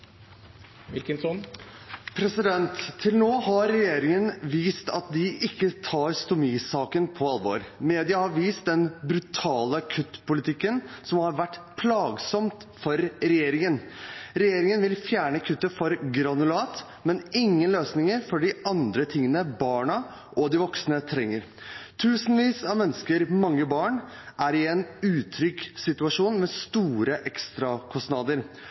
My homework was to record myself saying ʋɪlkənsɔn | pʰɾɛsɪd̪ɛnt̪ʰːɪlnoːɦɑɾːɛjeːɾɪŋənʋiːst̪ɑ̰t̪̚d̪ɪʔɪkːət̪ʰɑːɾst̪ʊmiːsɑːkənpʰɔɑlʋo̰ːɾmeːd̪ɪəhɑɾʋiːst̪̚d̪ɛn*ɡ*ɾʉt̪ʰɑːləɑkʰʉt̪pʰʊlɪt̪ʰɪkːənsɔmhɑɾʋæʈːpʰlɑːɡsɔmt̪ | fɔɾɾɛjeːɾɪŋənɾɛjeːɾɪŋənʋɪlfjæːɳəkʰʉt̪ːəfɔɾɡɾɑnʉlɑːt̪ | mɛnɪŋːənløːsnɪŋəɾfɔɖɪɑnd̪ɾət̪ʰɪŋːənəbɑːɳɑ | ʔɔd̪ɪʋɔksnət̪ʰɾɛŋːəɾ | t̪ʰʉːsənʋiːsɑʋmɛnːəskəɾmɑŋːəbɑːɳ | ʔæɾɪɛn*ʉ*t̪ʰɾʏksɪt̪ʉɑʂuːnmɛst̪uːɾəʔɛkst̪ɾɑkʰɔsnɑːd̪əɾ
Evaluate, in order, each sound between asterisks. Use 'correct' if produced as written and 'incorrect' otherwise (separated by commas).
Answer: incorrect, incorrect